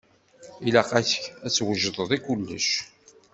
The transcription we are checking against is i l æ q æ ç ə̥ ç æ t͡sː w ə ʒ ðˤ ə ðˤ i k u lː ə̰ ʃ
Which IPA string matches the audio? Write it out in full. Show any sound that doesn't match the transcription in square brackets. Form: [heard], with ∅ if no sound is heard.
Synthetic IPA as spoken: i l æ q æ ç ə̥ ç æ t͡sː w ə ʒ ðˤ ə ðˤ i k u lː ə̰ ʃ